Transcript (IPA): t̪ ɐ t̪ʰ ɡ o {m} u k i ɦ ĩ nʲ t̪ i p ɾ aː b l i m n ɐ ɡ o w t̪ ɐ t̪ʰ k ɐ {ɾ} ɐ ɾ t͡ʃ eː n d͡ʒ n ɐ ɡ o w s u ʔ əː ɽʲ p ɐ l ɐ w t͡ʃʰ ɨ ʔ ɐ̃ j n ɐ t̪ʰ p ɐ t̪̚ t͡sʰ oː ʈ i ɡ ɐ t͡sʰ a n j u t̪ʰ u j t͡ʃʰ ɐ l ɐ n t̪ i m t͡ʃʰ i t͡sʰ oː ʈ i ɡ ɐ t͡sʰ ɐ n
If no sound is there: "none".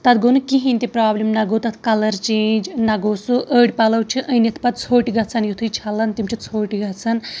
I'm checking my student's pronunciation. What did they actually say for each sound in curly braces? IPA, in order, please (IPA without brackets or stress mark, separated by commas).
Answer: n, l